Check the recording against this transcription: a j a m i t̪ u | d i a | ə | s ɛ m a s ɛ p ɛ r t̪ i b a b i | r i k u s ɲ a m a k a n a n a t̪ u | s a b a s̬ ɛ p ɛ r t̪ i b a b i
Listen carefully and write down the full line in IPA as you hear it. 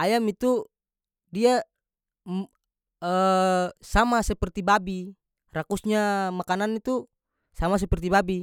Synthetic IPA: a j a m i t̪ u | d i a | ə | s a m a s ɛ p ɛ r t̪ i b a b i | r a k u s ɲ a m a k a n a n i t̪ u | s a m a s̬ ɛ p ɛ r t̪ i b a b i